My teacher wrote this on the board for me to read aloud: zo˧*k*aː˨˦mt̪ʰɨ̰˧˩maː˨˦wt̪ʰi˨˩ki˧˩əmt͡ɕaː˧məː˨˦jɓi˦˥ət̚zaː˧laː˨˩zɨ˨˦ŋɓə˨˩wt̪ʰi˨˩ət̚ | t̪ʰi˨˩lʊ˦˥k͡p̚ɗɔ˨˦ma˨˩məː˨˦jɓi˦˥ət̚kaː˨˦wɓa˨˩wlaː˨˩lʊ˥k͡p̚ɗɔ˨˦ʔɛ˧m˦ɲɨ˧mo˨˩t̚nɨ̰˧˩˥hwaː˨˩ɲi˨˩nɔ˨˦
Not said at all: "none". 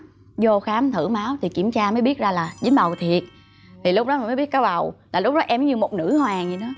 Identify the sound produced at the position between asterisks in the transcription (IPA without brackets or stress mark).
x